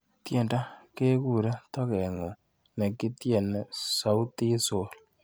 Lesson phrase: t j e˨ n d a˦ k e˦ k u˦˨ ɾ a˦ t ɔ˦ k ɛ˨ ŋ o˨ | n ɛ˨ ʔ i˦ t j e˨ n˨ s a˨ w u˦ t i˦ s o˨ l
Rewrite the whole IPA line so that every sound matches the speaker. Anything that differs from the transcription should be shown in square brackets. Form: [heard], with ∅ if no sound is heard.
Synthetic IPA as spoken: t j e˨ n d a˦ k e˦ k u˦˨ ɾ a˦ t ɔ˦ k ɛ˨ ŋ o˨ | n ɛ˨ [k] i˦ t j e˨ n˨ s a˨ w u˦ t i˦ s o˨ l